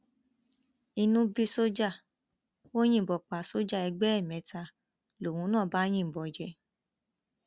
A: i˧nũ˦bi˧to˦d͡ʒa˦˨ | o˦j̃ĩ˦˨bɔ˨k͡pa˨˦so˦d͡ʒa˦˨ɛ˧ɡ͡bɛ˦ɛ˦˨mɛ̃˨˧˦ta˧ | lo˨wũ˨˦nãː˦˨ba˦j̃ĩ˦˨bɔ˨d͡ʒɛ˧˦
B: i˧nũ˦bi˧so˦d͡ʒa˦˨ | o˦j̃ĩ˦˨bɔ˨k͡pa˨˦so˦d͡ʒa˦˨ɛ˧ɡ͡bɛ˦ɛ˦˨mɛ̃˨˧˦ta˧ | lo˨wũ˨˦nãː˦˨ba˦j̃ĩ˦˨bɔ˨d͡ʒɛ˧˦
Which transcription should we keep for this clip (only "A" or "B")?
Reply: B